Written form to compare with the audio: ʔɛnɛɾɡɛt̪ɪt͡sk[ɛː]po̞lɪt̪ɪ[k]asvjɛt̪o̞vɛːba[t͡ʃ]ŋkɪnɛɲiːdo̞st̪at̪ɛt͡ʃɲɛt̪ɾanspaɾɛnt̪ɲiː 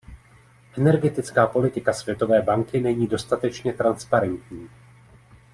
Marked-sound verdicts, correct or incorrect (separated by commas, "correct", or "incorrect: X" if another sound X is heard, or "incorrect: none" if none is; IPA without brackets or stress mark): incorrect: aː, correct, incorrect: none